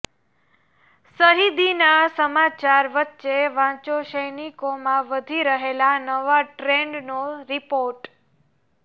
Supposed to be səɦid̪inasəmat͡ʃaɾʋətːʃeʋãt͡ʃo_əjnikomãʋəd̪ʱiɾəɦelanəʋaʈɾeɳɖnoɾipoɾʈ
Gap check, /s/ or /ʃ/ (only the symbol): ʃ